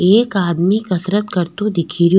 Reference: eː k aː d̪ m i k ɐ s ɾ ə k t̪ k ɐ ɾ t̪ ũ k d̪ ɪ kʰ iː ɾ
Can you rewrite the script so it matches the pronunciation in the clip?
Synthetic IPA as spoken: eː k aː d̪ m i k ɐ s ɾ ə t̪ k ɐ ɾ t̪ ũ d̪ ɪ kʰ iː ɾ